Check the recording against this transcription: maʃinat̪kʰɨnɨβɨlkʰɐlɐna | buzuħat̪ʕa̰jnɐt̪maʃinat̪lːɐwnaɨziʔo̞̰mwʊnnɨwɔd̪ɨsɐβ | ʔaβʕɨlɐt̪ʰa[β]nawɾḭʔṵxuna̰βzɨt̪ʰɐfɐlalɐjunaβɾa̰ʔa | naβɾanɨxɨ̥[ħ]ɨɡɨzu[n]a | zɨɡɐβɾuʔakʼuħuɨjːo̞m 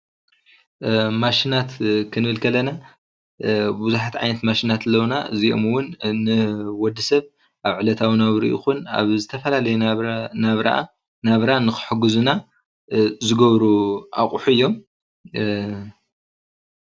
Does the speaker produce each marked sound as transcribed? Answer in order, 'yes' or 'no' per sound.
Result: no, yes, yes

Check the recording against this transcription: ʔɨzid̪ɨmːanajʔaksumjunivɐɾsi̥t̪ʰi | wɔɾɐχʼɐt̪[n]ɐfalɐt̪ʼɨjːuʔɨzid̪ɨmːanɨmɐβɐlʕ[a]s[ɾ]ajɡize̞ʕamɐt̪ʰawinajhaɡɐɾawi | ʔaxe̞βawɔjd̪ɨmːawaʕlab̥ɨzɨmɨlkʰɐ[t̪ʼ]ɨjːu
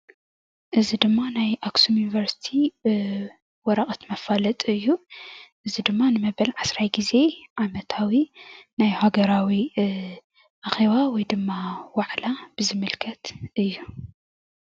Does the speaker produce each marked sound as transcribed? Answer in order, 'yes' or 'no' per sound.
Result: no, yes, yes, no

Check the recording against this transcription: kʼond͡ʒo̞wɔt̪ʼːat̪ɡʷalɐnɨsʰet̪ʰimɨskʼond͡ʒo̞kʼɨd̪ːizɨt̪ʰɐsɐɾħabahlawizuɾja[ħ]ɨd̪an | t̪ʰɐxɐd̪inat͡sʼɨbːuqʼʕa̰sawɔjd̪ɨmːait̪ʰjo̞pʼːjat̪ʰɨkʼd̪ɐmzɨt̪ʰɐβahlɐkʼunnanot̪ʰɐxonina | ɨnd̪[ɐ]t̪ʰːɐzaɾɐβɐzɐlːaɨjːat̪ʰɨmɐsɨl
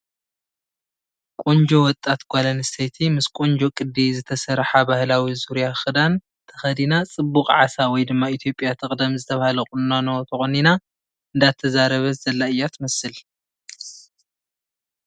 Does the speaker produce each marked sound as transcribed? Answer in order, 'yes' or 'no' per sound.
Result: no, no

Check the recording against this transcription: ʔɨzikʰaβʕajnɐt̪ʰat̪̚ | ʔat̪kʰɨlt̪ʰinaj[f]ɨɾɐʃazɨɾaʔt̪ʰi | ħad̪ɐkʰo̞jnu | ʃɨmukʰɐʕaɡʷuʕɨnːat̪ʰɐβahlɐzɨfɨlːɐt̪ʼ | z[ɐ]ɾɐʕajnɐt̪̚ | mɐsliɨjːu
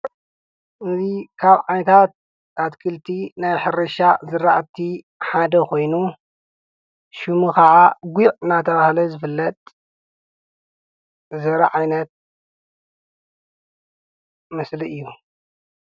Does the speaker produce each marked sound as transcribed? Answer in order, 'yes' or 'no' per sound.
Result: no, yes

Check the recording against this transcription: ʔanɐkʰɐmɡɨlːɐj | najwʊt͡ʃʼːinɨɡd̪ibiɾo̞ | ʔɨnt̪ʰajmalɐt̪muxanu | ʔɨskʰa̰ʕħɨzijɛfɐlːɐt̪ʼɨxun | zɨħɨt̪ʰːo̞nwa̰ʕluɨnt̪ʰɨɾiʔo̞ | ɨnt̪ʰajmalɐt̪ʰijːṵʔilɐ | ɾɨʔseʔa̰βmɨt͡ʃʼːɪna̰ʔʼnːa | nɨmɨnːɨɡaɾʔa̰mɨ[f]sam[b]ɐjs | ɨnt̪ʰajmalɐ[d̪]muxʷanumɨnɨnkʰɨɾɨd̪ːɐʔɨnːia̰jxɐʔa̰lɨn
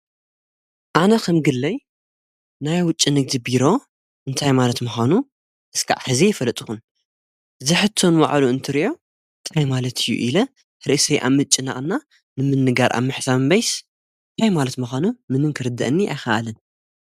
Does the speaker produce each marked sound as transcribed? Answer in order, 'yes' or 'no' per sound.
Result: no, yes, no

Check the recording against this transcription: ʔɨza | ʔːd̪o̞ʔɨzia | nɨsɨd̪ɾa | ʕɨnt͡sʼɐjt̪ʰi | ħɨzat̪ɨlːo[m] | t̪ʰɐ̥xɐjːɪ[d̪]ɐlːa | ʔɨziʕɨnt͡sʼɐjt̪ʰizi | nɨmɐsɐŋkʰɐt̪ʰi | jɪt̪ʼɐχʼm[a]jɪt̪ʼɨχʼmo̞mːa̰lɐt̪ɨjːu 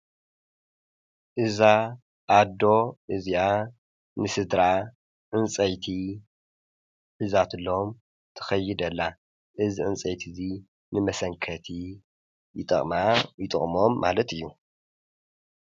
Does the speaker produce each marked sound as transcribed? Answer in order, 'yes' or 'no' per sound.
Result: yes, yes, yes

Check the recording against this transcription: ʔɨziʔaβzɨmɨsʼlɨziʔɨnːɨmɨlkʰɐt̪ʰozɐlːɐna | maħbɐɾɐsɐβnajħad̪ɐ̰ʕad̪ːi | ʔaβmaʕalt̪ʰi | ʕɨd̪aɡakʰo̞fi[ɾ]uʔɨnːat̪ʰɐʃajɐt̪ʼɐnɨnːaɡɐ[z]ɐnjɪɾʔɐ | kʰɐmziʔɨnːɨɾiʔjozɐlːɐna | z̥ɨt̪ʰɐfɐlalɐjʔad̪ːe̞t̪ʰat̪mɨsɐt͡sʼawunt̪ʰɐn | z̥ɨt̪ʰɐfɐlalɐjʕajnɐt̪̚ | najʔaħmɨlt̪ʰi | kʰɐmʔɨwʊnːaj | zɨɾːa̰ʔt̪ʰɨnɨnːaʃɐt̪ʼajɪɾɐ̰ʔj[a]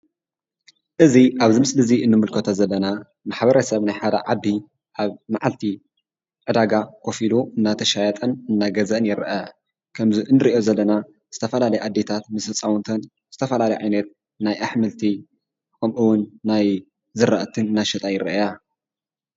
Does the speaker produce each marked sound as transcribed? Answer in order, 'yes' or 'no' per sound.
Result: no, yes, yes

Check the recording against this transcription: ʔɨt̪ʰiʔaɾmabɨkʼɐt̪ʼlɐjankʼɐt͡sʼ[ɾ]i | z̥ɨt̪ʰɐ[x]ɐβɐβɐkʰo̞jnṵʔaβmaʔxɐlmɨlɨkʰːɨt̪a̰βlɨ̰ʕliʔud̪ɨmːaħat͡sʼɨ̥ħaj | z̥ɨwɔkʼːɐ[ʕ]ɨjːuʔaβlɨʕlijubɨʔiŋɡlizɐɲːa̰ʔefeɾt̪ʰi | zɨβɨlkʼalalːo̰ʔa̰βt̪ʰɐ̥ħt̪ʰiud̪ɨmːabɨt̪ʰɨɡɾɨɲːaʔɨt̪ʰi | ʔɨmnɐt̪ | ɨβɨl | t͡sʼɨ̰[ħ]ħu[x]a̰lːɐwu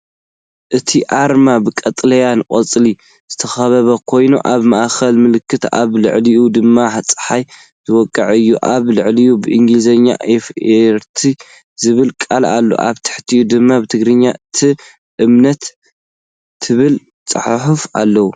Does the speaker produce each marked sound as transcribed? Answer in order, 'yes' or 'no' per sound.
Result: no, yes, yes, yes, no

